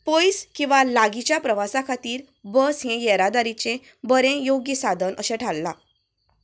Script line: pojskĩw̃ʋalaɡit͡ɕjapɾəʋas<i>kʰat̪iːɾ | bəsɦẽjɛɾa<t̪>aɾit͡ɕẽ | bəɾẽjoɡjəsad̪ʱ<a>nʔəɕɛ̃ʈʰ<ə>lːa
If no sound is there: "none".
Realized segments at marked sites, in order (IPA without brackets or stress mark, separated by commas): a, d̪, ə, a